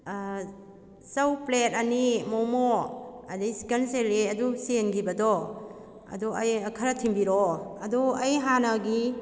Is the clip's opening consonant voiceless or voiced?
voiceless